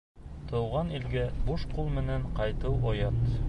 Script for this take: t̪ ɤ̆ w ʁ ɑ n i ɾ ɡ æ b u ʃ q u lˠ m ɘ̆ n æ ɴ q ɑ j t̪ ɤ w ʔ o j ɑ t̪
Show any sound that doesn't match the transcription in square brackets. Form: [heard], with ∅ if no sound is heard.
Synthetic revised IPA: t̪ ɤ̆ w ʁ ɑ n i [l] ɡ æ b u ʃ q u lˠ m ɘ̆ n æ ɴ q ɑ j t̪ ɤ w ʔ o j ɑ t̪